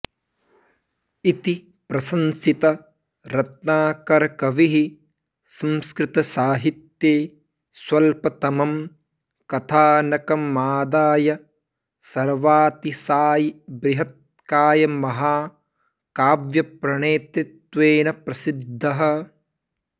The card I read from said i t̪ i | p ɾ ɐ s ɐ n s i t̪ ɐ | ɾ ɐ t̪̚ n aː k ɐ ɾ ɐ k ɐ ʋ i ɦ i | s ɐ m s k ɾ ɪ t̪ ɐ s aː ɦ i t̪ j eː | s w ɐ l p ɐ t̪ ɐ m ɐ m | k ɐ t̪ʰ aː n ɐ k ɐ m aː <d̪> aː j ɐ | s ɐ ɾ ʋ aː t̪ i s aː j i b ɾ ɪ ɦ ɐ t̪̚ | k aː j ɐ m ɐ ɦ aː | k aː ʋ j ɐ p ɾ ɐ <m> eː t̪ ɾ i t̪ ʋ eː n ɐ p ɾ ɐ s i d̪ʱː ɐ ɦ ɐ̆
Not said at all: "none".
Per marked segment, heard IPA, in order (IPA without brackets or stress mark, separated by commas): d̪, ɳ